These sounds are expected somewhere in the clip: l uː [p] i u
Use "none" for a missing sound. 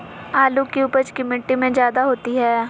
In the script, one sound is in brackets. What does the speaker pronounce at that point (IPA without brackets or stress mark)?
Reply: k